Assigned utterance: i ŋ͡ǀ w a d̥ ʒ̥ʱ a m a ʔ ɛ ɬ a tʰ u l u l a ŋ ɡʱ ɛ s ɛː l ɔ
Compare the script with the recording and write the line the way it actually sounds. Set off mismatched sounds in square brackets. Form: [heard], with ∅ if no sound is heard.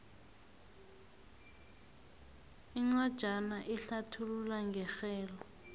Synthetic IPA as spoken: i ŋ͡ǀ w a d̥ ʒ̥ʱ a [n] a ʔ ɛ ɬ a tʰ u l u l a ŋ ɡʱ ɛ [x] ɛː l ɔ